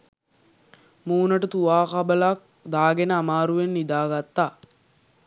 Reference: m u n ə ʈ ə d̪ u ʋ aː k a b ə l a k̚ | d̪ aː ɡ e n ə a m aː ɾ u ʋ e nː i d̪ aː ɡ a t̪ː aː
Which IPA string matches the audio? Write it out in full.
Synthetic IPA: m uː n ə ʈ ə t̪ u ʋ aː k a b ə l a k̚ | d̪ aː ɡ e n ə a m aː ɾ u ʋ e nː i d̪ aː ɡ a t̪ː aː